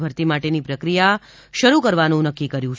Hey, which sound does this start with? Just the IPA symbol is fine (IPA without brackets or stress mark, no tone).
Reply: bʱ